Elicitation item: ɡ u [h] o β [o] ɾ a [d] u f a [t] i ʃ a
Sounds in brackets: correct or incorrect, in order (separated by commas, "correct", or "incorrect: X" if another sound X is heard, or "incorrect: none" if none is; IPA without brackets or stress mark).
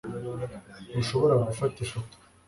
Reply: incorrect: ʃ, correct, incorrect: ɡ, correct